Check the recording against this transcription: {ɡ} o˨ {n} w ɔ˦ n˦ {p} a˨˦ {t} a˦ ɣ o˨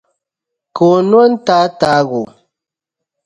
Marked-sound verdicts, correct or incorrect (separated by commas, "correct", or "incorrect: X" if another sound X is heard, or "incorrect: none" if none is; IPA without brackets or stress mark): incorrect: k, correct, incorrect: t, correct